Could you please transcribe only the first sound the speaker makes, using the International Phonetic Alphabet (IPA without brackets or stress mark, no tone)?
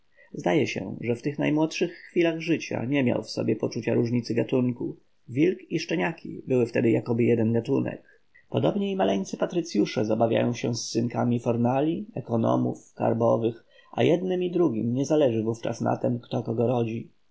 z